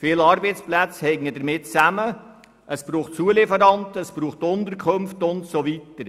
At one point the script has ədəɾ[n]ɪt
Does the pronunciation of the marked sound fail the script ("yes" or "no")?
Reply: yes